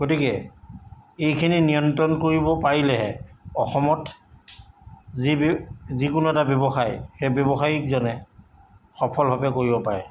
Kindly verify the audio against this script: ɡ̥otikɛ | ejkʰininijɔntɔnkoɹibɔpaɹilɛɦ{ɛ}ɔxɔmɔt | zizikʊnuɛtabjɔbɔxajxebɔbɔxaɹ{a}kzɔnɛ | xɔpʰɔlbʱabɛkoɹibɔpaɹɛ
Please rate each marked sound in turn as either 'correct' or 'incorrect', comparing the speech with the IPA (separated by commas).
correct, incorrect